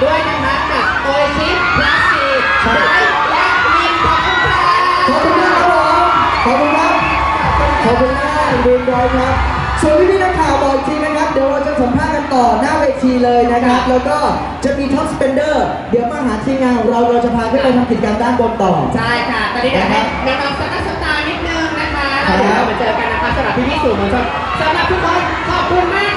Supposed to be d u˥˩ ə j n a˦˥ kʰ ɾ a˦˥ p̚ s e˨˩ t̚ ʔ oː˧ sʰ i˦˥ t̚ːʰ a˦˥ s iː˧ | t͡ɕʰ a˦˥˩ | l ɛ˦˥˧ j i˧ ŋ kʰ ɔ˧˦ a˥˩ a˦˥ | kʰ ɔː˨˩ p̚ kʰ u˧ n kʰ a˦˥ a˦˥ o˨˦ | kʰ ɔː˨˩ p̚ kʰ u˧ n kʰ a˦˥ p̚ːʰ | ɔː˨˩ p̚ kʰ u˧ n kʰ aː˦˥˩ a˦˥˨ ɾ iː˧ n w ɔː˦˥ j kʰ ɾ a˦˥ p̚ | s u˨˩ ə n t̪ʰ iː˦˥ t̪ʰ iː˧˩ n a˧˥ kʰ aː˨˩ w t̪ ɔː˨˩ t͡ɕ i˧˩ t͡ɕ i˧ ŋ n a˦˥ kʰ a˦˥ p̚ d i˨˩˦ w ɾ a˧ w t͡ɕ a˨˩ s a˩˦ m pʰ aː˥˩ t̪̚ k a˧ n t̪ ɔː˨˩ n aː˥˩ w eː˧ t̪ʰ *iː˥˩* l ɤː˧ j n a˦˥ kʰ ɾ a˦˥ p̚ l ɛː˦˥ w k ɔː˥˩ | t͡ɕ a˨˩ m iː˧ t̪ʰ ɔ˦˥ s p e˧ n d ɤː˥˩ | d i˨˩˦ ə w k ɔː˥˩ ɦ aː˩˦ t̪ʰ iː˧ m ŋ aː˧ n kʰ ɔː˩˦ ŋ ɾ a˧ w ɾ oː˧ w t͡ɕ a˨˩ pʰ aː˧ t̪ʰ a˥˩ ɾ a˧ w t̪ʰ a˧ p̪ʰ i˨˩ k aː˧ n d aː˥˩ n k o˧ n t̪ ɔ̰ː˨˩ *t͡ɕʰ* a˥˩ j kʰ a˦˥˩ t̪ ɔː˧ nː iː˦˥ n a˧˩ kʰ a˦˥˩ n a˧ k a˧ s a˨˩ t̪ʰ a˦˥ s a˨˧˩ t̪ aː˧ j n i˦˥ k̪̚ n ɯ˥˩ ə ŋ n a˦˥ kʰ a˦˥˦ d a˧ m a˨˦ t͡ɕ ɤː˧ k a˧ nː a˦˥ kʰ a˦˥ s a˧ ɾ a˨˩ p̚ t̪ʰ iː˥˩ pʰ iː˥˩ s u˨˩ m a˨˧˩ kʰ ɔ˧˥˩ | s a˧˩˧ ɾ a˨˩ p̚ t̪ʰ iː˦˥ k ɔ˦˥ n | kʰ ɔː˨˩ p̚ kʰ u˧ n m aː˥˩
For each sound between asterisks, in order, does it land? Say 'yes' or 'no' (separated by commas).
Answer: no, yes